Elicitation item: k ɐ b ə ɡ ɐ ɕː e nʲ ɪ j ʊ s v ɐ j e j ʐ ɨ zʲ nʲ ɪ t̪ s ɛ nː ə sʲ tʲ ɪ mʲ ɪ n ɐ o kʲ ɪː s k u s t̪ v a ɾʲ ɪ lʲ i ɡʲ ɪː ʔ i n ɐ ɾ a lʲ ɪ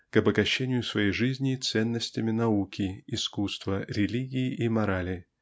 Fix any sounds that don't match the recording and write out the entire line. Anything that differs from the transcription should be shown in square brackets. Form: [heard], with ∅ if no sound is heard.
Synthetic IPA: k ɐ b ə ɡ ɐ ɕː e nʲ ɪ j ʊ s v ɐ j e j ʐ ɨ zʲ nʲ ɪ t̪ s ɛ nː ə sʲ tʲ ɪ mʲ ɪ n ɐ [u] kʲ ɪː s k u s t̪ v [ə] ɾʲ ɪ lʲ i ɡʲ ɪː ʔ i [m] ɐ ɾ a lʲ ɪ

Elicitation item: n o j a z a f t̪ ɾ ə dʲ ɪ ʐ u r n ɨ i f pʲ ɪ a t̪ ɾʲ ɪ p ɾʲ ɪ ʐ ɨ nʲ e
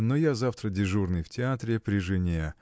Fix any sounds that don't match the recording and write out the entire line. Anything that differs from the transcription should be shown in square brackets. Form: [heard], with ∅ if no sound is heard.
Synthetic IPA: n o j a z a f t̪ ɾ ə dʲ ɪ ʐ u r n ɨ [j] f [tʲ] ɪ a t̪ ɾʲ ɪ p ɾʲ ɪ ʐ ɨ nʲ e

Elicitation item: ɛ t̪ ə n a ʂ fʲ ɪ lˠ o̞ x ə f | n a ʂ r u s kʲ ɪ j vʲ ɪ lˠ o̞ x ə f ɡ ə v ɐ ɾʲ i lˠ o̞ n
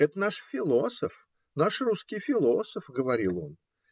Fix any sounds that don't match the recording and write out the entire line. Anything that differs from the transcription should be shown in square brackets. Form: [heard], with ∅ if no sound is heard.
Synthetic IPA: ɛ t̪ ə n a ʂ fʲ ɪ lˠ o̞ [s] ə f | n a ʂ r u s kʲ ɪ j [fʲ] ɪ lˠ o̞ [s] ə f ɡ ə v ɐ ɾʲ i lˠ o̞ n

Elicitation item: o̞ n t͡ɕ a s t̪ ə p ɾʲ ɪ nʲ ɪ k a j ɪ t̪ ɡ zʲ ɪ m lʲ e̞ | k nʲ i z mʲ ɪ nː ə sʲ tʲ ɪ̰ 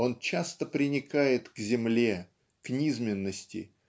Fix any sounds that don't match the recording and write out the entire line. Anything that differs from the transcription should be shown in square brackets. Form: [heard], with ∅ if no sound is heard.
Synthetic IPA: o̞ n t͡ɕ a s t̪ ə p ɾʲ ɪ nʲ ɪ k a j ɪ t̪ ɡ zʲ ɪ m lʲ e̞ | k nʲ i z mʲ ɪ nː ə sʲ tʲ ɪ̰

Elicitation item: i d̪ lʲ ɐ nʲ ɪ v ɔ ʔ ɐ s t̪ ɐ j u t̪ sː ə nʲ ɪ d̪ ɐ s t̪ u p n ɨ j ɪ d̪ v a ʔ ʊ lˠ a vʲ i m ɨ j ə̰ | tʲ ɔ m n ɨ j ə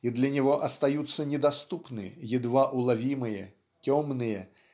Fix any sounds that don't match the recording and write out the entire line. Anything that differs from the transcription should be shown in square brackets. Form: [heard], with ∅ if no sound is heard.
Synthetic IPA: i d̪ lʲ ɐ nʲ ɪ v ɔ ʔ ɐ s t̪ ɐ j u t̪ sː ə nʲ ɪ d̪ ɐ s t̪ u p n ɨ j ɪ d̪ v a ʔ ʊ lˠ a vʲ i m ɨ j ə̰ | tʲ ɔ m n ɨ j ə

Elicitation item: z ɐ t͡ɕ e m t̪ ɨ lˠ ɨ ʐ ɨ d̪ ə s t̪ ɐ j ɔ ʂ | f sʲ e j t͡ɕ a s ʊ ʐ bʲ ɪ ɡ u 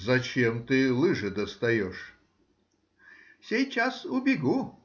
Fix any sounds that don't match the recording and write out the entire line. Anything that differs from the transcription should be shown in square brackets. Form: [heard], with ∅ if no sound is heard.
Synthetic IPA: z ɐ t͡ɕ e m t̪ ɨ lˠ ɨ ʐ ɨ d̪ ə s t̪ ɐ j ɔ ʂ | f sʲ e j t͡ɕ a s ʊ [∅] bʲ ɪ ɡ u

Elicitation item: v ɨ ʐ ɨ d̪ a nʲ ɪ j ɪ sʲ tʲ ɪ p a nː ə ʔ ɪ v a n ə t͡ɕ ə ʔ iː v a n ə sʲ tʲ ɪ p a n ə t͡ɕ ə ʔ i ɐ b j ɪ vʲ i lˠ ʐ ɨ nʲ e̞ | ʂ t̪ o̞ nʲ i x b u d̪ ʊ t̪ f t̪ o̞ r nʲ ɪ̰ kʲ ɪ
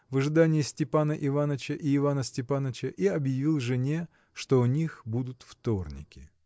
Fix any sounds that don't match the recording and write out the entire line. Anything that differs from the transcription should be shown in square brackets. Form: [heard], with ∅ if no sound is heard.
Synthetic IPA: v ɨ ʐ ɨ d̪ a nʲ ɪ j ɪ sʲ tʲ ɪ p a [n] ə ʔ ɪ v a n ə t͡ɕ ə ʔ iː v a n ə sʲ tʲ ɪ p a n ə t͡ɕ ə ʔ i ɐ b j ɪ vʲ i lˠ ʐ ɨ nʲ e̞ | ʂ t̪ o̞ nʲ i x b u d̪ ʊ t̪ f t̪ o̞ r nʲ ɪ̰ kʲ ɪ

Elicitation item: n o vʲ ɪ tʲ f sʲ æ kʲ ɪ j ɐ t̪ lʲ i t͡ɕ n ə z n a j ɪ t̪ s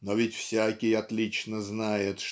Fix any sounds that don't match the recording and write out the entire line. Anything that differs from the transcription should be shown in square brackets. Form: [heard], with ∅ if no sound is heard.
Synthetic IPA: n o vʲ ɪ tʲ f sʲ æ kʲ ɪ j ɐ t̪ lʲ i t͡ɕ n ə z n a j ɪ t̪ [ʂ]

